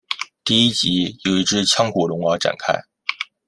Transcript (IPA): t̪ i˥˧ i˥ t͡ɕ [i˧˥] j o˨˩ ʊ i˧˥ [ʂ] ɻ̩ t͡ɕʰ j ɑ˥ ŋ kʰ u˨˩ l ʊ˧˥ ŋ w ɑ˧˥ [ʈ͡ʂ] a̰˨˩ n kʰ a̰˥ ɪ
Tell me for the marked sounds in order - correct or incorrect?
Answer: correct, incorrect: ʈ͡ʂ, correct

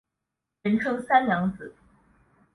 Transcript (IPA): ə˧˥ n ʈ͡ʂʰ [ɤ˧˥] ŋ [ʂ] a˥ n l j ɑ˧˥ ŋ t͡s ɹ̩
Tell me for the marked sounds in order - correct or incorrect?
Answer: incorrect: ɤ˥, incorrect: s

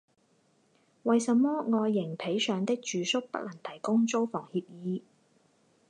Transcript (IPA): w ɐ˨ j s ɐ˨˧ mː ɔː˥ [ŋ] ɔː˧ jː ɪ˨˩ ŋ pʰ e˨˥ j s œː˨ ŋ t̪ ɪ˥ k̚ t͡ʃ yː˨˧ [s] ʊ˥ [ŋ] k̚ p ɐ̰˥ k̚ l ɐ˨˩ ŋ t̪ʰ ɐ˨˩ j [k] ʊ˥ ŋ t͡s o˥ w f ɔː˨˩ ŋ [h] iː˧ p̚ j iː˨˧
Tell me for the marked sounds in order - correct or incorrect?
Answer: correct, correct, incorrect: none, correct, correct

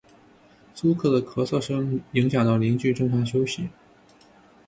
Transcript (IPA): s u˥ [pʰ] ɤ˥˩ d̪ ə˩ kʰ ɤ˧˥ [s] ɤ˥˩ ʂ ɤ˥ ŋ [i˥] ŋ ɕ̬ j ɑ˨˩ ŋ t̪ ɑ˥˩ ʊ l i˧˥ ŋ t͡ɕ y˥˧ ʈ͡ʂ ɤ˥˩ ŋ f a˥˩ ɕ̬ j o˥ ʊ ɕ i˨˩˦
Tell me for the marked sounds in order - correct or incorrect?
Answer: incorrect: kʰ, correct, incorrect: i˧˥

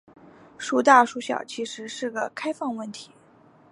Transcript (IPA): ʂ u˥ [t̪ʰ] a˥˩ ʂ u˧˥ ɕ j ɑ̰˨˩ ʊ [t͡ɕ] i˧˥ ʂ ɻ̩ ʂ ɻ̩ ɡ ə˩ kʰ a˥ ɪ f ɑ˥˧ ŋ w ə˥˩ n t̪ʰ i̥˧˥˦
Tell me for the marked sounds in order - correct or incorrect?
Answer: incorrect: t̪, incorrect: t͡ɕʰ

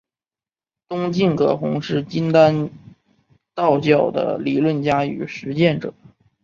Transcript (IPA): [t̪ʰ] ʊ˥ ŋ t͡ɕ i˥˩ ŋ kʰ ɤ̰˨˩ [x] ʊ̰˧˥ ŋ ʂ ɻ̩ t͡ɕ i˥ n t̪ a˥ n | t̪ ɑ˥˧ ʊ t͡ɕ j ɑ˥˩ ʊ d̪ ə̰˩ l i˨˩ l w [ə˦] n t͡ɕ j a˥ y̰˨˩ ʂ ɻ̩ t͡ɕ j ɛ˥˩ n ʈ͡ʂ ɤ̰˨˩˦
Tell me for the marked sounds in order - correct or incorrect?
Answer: incorrect: t̪, correct, incorrect: ə˥˩

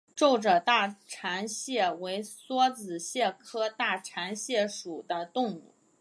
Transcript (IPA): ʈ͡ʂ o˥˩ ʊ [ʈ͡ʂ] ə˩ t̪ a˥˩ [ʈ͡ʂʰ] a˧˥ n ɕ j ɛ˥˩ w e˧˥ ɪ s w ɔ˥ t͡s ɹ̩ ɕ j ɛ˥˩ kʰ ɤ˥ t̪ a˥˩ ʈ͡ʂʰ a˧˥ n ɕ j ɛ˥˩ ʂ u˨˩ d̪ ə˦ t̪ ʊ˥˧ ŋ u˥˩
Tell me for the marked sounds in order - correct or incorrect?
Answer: correct, correct

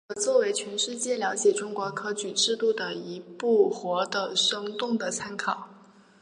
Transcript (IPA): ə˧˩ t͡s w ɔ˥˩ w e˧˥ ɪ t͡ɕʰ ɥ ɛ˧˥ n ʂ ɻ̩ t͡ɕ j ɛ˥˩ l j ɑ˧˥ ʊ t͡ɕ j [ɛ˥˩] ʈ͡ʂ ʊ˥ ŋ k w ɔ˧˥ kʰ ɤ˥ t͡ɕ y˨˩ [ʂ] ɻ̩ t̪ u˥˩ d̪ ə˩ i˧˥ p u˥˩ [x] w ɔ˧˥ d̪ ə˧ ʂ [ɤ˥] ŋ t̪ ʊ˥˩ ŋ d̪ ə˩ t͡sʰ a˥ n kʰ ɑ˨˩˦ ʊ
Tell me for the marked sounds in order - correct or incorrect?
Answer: incorrect: ɛ˨˩, incorrect: ʈ͡ʂ, correct, correct

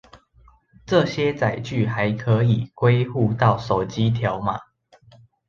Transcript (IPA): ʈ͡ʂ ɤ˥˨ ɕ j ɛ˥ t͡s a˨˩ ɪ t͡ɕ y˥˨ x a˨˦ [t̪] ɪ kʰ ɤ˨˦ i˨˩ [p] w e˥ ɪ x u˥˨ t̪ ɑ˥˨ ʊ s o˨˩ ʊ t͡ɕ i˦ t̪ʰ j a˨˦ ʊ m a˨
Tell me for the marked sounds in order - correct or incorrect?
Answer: incorrect: none, incorrect: k

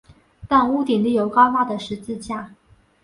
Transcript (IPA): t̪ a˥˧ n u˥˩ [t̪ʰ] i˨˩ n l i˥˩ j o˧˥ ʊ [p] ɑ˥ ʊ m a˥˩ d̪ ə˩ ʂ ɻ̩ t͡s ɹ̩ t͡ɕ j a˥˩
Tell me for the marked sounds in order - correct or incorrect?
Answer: incorrect: t̪, incorrect: k

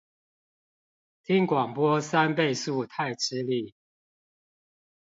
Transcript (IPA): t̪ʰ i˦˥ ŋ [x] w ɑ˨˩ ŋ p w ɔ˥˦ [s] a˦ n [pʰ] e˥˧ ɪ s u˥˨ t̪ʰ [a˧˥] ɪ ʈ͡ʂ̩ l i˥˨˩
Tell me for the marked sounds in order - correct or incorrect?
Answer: incorrect: k, correct, incorrect: p, incorrect: a˥˨

